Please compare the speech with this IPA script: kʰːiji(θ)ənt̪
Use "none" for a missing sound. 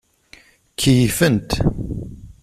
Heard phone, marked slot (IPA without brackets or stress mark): f